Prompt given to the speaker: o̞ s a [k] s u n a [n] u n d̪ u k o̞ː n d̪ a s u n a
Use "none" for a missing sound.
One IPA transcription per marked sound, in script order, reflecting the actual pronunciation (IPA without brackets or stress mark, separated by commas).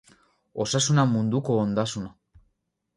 none, m